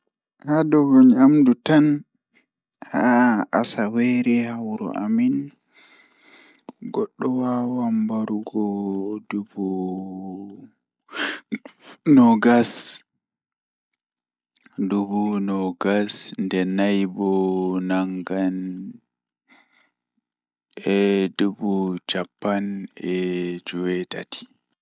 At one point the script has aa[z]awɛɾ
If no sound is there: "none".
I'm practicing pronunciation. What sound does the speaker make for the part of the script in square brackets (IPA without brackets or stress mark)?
s